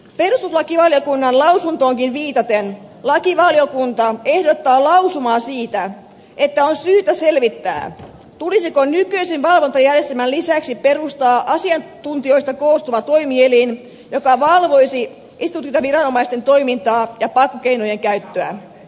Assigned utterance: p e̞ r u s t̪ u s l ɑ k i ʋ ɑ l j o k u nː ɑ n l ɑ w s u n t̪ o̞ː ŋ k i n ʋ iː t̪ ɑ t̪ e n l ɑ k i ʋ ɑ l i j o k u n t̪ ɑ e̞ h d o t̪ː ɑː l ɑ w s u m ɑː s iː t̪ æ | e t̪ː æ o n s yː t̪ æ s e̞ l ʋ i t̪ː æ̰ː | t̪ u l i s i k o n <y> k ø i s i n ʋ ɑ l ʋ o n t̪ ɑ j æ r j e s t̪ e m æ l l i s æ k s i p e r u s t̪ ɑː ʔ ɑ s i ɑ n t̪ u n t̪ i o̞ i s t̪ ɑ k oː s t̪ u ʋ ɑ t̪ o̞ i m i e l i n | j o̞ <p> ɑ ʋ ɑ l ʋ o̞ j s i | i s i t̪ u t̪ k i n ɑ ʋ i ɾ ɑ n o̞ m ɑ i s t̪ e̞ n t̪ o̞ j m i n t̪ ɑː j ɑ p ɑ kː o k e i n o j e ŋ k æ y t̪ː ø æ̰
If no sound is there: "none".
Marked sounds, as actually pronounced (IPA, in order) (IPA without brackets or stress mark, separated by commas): y, k